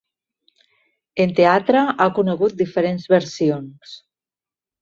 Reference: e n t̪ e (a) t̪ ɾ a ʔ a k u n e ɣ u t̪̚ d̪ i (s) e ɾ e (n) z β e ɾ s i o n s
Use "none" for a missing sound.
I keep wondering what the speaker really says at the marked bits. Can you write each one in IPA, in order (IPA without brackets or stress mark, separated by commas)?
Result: a, f, n